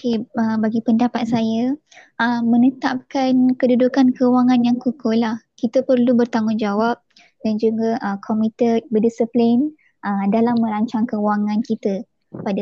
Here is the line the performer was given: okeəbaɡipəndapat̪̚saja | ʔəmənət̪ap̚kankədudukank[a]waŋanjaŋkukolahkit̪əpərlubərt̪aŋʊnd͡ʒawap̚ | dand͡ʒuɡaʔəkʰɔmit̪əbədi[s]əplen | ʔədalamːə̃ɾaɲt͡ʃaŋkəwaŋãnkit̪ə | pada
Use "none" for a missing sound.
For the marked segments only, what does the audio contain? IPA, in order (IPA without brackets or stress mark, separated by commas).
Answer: ə, s